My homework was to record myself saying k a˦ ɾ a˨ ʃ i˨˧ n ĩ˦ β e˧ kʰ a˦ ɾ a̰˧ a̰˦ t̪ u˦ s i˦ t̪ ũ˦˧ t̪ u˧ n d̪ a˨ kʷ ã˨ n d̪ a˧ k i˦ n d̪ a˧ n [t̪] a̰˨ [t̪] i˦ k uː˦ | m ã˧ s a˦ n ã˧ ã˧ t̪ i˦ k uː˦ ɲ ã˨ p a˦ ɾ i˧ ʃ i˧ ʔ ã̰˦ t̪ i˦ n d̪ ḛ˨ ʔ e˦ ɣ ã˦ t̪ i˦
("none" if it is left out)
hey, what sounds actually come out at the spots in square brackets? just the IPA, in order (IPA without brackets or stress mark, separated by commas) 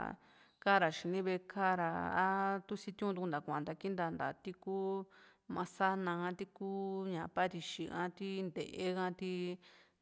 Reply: d̪, t̪